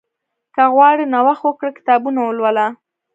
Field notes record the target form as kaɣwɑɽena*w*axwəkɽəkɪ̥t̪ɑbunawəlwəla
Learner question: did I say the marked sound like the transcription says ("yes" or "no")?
yes